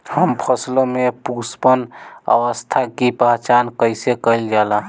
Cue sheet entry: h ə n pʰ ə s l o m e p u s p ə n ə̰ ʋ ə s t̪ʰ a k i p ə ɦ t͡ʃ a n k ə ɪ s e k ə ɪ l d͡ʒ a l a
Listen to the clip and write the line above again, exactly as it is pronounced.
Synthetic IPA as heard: h ə m pʰ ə s l o m e p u s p ə n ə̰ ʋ ə s t̪ʰ a k i p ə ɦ t͡ʃ a n k ə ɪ s e k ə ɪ l d͡ʒ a l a